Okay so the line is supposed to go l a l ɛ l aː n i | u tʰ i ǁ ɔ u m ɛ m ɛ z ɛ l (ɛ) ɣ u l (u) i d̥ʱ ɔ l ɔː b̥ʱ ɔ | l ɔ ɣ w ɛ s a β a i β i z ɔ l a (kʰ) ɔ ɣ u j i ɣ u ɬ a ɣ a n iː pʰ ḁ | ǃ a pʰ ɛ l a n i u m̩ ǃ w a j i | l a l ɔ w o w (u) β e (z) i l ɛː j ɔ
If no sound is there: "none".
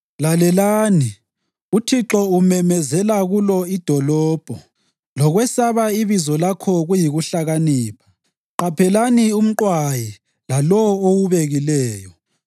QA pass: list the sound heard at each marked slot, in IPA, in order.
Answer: a, ɔ, kʰ, u, ɣ

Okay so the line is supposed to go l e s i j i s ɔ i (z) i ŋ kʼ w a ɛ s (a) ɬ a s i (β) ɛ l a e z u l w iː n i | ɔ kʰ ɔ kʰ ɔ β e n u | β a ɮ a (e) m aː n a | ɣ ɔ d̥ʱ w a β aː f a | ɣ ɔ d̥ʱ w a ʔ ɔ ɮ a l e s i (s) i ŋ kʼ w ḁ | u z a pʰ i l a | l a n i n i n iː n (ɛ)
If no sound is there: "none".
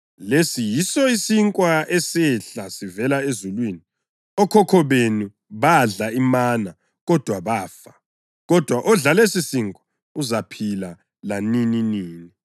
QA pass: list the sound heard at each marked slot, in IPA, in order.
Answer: s, ɛ, v, i, s, i

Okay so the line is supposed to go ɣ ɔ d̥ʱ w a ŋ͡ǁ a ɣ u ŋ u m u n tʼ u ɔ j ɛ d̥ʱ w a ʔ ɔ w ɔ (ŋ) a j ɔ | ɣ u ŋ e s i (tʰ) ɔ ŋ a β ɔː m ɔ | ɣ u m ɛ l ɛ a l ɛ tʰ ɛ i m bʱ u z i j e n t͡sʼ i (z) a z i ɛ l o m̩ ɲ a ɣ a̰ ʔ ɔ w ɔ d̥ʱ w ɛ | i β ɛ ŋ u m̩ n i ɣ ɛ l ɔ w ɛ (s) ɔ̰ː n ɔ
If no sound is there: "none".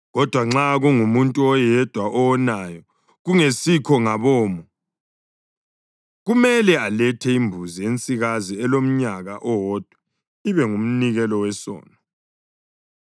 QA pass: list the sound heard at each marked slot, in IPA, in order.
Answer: n, kʰ, ɣ, s

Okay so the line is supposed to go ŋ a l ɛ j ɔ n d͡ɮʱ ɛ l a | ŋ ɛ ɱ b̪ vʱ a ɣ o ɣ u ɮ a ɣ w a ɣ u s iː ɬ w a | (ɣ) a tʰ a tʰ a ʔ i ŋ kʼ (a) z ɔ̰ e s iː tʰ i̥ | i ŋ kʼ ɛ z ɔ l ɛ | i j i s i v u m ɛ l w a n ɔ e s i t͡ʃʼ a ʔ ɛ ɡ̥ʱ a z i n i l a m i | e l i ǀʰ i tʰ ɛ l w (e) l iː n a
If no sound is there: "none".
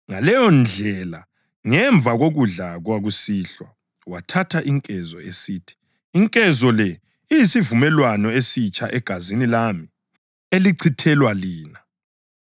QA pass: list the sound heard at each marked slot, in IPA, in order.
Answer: w, ɛ, a

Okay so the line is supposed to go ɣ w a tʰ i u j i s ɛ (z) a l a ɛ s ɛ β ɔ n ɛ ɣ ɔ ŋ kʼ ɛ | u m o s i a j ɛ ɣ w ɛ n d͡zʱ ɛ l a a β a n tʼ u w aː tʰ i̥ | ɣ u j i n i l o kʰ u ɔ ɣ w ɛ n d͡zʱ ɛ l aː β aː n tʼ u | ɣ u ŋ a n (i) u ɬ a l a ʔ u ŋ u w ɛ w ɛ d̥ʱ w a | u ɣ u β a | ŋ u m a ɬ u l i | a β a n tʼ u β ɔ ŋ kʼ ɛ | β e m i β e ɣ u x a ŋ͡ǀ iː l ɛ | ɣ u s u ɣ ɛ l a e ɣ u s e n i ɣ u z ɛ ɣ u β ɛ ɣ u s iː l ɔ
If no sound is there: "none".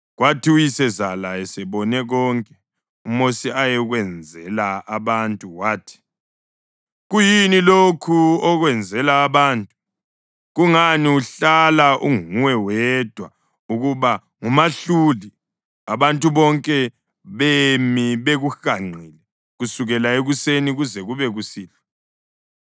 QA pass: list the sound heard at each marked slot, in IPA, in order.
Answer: z, i

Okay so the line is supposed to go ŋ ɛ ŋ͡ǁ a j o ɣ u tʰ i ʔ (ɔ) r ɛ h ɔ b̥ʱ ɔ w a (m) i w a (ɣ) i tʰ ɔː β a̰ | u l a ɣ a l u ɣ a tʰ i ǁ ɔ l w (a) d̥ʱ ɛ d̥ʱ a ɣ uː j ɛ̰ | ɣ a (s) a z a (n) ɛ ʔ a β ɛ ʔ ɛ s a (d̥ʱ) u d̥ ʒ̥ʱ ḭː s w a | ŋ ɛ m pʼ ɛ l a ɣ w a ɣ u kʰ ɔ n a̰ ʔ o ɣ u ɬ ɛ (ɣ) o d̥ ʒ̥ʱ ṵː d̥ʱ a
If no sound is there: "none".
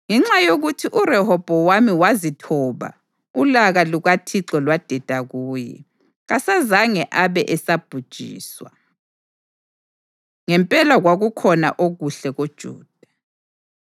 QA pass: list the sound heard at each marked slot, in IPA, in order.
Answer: u, m, z, a, s, ŋ, b̥ʱ, ɣ

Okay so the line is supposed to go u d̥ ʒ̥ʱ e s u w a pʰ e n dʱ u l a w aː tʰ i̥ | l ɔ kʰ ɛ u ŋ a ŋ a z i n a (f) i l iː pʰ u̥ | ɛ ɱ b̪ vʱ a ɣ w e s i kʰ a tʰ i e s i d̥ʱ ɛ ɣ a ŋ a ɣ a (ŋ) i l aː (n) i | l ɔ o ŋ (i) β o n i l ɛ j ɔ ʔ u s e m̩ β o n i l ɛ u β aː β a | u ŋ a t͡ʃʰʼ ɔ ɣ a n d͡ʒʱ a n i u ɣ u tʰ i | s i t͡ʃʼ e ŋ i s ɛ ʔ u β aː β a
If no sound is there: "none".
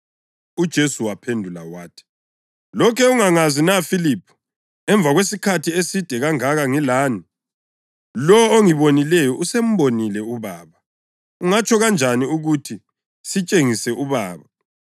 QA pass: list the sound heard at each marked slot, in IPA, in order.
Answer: f, ŋ, n, i

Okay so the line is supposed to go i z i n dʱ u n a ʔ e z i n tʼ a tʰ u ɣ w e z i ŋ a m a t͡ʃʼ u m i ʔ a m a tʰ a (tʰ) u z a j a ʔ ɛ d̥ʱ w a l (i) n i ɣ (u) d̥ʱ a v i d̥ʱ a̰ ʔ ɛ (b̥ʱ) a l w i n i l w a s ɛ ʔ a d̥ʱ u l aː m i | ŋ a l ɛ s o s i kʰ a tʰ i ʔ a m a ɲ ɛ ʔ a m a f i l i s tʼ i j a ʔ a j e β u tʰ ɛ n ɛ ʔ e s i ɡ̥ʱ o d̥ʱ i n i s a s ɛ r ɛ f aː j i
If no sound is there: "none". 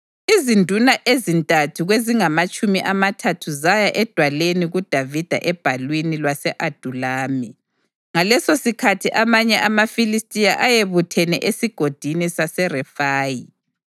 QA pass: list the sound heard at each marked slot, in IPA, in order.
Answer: tʰ, e, u, b̥ʱ

